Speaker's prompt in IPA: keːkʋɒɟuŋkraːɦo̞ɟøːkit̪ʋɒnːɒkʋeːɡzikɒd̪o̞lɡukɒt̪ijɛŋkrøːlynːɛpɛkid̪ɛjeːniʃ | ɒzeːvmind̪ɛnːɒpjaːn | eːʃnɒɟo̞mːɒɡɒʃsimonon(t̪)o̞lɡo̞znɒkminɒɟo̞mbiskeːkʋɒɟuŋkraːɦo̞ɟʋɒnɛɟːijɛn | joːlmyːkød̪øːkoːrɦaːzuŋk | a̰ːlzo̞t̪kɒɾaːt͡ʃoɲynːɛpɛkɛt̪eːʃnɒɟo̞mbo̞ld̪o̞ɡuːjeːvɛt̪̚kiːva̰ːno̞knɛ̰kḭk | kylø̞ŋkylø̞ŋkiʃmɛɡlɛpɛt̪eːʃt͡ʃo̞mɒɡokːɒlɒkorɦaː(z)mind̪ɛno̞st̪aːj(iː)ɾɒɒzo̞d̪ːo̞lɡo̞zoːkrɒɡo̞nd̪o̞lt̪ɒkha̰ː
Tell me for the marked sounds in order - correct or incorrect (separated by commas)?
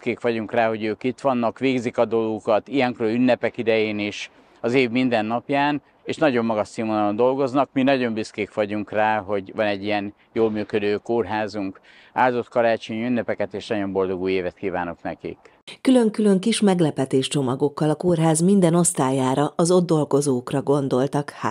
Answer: incorrect, correct, incorrect